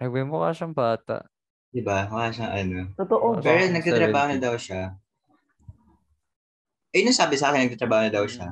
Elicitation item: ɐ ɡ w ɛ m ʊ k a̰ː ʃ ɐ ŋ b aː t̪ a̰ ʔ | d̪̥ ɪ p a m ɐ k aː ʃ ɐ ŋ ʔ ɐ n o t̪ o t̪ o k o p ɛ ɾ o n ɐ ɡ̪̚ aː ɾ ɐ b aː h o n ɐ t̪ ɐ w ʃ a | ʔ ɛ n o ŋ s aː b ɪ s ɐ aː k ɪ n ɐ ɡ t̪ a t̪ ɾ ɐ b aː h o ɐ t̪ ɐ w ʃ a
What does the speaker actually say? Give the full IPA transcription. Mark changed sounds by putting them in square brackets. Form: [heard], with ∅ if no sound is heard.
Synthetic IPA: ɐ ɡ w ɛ m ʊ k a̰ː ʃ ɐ ŋ b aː t̪ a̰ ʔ | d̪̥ ɪ [b] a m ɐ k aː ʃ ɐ ŋ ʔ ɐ n o t̪ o t̪ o [ʔ] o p ɛ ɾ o n ɐ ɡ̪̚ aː ɾ ɐ b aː h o n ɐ [d̪] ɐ w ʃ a | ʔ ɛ n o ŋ s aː b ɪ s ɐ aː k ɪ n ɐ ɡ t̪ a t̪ ɾ ɐ b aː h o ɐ [d̪] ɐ w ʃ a